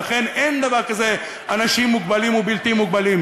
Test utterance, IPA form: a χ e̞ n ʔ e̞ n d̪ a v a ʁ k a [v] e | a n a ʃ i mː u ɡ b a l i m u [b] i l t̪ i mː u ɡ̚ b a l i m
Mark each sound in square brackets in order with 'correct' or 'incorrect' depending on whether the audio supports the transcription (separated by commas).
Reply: incorrect, correct